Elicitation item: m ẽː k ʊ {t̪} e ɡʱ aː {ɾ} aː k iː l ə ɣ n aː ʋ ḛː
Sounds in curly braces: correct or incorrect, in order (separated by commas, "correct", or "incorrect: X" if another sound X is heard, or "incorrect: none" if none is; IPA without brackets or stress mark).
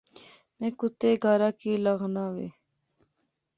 correct, correct